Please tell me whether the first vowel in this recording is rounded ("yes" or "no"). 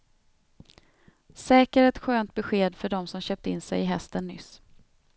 no